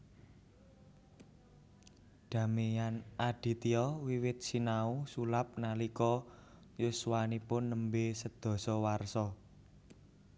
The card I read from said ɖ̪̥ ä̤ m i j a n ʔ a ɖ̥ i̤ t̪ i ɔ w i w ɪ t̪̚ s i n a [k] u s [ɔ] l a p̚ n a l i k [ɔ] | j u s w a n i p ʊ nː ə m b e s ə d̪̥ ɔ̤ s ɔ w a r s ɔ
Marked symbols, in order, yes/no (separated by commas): no, no, yes